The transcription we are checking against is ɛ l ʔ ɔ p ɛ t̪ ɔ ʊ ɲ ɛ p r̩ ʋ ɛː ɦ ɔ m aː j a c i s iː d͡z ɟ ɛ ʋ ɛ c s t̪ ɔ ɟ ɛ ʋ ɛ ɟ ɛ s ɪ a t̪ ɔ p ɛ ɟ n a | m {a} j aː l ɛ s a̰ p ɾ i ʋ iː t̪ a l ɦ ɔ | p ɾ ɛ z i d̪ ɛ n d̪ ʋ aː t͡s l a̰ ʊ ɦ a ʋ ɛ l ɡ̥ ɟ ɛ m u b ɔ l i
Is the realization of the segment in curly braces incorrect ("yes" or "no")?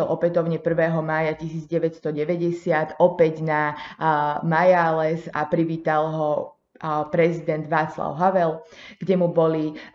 no